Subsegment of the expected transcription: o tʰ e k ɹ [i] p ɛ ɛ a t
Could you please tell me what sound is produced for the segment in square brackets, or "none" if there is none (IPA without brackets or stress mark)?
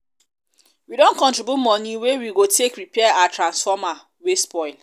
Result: i